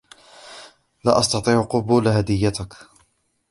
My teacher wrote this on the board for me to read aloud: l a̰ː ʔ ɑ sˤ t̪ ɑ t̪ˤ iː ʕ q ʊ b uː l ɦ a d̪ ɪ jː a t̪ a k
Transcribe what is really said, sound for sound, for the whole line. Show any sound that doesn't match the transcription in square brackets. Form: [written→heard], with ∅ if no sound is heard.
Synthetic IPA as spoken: l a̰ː ʔ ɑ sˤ t̪ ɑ t̪ˤ iː ʕ q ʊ b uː l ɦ a d̪ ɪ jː a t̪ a k